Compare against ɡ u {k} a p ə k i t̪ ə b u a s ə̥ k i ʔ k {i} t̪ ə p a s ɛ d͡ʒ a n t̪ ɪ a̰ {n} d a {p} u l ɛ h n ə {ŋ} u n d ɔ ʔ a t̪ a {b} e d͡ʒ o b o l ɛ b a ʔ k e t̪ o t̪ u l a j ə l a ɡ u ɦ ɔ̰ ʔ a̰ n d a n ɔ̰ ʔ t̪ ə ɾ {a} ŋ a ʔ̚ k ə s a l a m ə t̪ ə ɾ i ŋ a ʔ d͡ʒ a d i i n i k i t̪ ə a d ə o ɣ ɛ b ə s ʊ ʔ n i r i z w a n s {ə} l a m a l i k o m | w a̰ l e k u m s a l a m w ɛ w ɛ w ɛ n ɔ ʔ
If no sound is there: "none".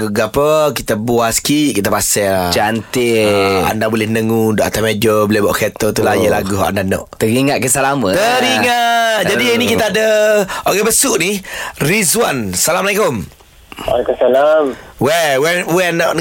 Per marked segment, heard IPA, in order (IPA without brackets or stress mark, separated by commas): ɡ, i, n, b, ŋ, m, i, a